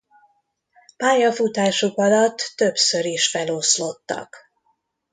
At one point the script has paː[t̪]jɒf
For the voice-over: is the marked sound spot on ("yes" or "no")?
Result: no